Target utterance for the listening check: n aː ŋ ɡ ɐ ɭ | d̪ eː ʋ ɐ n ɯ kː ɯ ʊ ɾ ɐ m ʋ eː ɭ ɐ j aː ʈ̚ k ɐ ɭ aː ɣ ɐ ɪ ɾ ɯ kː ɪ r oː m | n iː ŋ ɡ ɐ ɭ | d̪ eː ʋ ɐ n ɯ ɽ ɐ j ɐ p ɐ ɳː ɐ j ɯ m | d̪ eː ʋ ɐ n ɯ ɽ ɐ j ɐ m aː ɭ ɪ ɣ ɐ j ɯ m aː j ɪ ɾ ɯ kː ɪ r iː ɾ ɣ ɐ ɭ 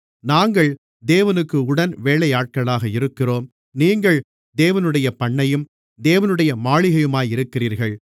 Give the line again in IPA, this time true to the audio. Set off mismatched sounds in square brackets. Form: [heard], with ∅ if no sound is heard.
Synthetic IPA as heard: n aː ŋ ɡ ɐ ɭ | d̪ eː ʋ ɐ n ɯ kː ɯ ʊ [ɽ] ɐ [n] ʋ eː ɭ ɐ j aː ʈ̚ k ɐ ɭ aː ɣ ɐ ɪ ɾ ɯ kː ɪ r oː m | n iː ŋ ɡ ɐ ɭ | d̪ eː ʋ ɐ n ɯ ɽ ɐ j ɐ p ɐ ɳː ɐ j ɯ m | d̪ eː ʋ ɐ n ɯ ɽ ɐ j ɐ m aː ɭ ɪ ɣ ɐ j ɯ m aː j ɪ ɾ ɯ kː ɪ r iː ɾ ɣ ɐ ɭ